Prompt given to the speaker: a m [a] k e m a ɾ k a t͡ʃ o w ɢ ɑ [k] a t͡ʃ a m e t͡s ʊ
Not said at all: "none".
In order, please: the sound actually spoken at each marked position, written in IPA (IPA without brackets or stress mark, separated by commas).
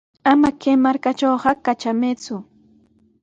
a, k